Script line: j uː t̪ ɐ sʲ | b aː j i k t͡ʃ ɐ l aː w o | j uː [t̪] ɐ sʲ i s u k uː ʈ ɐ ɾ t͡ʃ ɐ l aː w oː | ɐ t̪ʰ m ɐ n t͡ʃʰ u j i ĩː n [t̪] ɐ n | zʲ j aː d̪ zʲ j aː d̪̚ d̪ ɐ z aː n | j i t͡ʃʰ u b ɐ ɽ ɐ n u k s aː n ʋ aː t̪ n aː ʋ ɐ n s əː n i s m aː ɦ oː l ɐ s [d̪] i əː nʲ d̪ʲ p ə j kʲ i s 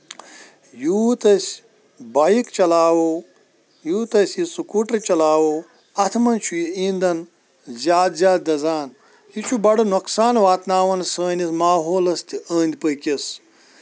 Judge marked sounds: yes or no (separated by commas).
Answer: yes, no, no